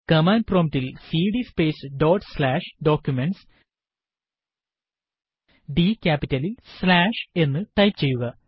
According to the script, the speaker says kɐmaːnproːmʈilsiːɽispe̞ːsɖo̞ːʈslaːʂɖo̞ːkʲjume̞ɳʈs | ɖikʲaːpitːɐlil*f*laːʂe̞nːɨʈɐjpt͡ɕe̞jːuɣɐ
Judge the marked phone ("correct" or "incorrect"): incorrect